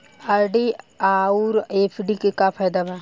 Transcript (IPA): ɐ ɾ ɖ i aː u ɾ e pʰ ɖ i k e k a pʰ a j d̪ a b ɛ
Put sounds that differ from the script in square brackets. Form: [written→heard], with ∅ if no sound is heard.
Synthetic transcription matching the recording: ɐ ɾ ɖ i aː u ɾ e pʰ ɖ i k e k a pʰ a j d̪ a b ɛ